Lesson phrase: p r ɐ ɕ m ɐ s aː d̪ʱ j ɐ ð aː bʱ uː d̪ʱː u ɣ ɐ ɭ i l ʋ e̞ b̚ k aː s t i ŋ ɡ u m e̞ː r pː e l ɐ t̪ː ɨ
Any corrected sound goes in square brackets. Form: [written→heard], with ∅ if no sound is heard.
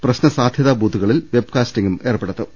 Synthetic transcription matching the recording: p r ɐ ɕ [m→n] ɐ s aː d̪ʱ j ɐ ð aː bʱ uː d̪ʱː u ɣ ɐ ɭ i l ʋ e̞ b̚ k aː s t i ŋ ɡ u m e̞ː r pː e [l→ɽ] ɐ t̪ː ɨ